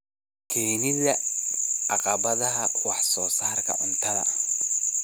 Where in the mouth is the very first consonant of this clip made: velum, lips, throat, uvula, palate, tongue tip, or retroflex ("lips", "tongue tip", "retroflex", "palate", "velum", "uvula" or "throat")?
velum